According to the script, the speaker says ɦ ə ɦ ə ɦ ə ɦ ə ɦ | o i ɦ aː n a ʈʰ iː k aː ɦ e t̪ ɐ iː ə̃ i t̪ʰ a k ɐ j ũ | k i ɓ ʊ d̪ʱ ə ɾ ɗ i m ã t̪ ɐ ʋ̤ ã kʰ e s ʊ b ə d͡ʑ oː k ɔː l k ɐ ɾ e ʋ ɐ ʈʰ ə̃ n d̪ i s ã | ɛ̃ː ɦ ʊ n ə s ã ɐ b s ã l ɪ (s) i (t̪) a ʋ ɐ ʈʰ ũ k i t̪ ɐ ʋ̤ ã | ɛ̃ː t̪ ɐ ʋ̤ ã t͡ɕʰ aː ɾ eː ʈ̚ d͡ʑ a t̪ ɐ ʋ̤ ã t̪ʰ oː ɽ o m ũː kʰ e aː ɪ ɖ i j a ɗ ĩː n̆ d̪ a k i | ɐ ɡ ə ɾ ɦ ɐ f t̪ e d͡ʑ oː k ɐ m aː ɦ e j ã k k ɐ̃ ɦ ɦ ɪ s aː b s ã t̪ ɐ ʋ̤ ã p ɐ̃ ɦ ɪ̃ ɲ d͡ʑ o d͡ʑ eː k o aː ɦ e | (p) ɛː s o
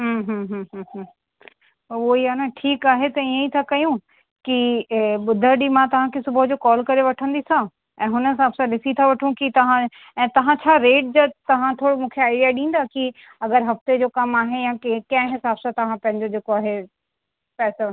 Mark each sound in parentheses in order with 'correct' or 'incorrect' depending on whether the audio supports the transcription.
correct, incorrect: t̪ʰ, correct

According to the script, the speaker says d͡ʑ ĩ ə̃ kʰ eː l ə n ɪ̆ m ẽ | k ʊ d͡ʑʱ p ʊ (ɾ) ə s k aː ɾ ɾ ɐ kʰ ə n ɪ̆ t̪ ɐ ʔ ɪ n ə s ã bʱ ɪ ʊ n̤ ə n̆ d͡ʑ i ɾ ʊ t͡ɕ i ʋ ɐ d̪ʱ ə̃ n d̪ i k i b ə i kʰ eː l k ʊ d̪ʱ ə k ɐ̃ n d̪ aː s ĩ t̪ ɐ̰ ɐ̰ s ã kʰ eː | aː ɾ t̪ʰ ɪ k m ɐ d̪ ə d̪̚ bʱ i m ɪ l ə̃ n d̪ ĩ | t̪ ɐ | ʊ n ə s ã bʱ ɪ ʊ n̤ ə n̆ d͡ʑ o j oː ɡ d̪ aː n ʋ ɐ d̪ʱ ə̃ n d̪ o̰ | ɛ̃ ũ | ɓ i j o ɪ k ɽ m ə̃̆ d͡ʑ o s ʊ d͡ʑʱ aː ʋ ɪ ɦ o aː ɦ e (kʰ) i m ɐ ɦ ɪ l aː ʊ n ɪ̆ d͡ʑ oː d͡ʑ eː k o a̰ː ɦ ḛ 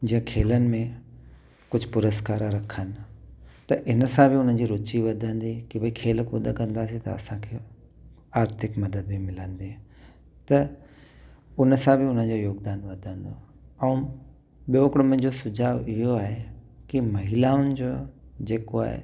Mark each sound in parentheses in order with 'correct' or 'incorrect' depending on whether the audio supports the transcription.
correct, incorrect: k

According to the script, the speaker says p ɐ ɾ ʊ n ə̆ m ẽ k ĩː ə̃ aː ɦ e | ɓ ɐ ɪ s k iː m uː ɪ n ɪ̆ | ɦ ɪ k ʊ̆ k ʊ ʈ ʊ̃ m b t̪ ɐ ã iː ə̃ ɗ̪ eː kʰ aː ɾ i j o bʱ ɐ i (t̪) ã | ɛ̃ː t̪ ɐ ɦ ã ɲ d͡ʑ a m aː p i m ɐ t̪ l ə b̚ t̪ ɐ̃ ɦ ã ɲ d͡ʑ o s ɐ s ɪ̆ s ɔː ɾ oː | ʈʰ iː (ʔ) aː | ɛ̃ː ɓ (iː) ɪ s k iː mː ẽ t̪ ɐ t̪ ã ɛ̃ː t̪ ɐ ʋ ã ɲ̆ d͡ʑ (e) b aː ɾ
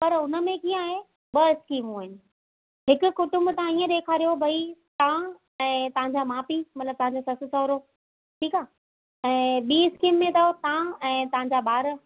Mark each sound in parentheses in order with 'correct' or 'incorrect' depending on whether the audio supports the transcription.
correct, incorrect: k, correct, incorrect: a

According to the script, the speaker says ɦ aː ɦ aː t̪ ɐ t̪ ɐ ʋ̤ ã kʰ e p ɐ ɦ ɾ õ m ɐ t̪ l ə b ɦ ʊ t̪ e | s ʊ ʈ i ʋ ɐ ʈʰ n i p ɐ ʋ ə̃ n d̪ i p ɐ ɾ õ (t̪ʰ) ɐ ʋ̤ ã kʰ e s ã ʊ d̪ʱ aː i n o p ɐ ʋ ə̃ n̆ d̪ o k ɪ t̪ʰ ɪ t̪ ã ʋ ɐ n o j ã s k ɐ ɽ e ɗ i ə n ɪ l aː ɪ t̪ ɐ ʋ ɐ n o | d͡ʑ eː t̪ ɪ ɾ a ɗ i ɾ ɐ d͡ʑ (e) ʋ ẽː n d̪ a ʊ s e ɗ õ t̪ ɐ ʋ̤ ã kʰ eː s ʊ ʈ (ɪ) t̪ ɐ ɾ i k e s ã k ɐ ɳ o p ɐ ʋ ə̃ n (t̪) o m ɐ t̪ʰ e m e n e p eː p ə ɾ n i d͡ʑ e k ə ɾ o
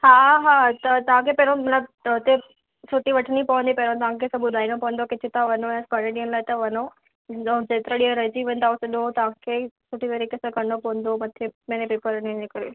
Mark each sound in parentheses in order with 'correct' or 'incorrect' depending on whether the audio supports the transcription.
incorrect: t̪, incorrect: i, incorrect: i, incorrect: d̪

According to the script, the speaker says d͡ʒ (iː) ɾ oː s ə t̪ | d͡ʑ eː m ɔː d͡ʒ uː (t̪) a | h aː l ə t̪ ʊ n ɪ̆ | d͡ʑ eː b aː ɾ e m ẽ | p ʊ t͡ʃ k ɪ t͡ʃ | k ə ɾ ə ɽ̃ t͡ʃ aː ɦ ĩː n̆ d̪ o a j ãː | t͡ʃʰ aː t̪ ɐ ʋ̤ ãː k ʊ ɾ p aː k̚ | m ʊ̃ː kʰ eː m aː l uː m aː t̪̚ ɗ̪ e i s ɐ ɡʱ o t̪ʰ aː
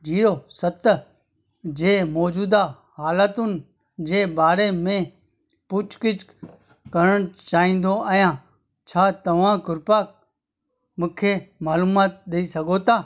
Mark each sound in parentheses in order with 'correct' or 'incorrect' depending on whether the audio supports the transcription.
correct, incorrect: d̪

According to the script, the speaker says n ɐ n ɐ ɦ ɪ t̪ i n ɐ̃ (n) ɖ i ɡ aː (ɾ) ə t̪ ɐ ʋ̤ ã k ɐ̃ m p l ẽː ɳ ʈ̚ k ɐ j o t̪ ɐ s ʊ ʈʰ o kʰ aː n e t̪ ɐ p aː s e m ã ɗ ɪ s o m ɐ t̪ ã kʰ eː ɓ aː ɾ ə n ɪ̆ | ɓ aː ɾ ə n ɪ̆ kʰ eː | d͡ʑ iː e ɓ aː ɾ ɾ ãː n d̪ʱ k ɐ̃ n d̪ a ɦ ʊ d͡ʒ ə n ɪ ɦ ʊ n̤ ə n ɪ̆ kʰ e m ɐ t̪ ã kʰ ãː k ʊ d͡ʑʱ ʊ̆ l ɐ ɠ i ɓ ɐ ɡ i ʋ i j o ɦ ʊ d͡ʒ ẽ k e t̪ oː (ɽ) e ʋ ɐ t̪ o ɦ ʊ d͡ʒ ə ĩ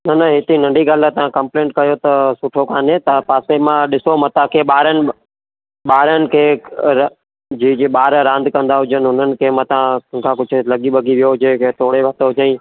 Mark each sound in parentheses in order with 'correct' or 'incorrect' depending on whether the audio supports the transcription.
incorrect: ɳ, incorrect: l, correct

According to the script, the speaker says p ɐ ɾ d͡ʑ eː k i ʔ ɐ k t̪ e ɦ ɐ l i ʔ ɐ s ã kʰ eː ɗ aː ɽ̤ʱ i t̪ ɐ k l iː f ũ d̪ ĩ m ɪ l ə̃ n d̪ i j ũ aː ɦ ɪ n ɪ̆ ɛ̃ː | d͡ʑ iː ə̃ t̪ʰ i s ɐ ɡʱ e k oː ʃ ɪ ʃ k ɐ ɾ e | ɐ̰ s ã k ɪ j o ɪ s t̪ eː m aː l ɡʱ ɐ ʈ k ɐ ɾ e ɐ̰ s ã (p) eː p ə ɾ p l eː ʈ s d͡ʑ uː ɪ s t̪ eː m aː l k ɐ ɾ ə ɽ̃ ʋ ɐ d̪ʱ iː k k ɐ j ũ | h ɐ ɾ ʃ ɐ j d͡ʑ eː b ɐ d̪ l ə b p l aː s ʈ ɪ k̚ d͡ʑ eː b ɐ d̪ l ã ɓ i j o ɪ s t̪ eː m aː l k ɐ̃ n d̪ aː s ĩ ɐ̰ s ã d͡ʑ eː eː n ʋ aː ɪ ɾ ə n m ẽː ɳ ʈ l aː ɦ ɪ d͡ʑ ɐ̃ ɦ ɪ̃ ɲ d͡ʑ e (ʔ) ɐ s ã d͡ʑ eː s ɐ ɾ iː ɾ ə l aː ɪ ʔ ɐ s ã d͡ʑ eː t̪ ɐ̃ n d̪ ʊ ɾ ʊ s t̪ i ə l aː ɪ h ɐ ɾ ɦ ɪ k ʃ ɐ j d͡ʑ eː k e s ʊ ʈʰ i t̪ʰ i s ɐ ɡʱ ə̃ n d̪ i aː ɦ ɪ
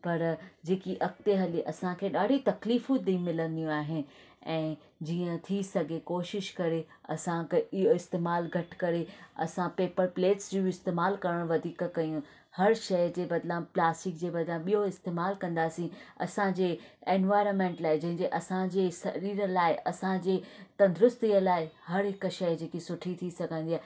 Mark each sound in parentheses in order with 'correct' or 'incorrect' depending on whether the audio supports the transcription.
correct, correct

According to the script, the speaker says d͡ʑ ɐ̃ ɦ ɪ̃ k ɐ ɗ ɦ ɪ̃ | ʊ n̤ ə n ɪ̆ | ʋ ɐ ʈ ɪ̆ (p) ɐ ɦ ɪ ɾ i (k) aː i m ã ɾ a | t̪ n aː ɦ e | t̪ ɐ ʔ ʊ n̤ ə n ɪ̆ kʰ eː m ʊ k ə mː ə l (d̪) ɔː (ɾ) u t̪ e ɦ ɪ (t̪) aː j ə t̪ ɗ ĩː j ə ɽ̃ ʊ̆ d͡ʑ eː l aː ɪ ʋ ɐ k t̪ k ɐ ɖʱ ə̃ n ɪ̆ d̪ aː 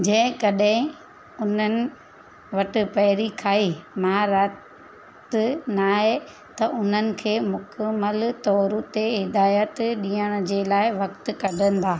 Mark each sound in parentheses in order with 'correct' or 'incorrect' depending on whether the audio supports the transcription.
correct, incorrect: kʰ, incorrect: t̪, correct, incorrect: d̪

